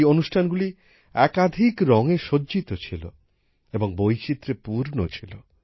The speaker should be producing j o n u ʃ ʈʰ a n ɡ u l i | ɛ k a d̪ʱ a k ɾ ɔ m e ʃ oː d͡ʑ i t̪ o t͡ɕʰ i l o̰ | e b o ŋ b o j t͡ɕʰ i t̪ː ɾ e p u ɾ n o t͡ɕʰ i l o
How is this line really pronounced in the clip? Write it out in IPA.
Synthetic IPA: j o n u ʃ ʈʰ a n ɡ u l i | ɛ k a d̪ʱ i k ɾ ɔ ŋ e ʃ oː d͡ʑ i t̪ o t͡ɕʰ i l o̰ | e b o ŋ b o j t͡ɕ i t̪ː ɾ e p u ɾ n o t͡ɕʰ i l o